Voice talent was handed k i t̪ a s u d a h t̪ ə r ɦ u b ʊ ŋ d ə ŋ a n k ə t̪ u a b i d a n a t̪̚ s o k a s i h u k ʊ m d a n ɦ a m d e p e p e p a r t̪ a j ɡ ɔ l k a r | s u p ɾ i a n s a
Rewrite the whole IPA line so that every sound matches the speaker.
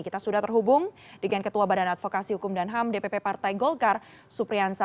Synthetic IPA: k i t̪ a s u d a h t̪ ə r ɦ u b ʊ ŋ d ə ŋ a n k ə t̪ u a b a d a n a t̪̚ f o k a s i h u k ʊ m d a n ɦ a m d e p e p e p a r t̪ a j ɡ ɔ l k a r | s u p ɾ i a n s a